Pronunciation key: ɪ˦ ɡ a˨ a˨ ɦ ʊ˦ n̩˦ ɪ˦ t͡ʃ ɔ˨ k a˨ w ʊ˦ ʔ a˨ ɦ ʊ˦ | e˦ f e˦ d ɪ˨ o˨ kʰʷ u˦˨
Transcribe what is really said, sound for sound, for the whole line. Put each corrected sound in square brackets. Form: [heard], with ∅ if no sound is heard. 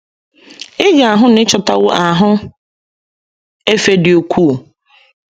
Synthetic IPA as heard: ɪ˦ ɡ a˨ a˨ ɦ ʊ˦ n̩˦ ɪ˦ t͡ʃ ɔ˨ [t] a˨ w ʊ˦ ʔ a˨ ɦ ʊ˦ | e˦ f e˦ d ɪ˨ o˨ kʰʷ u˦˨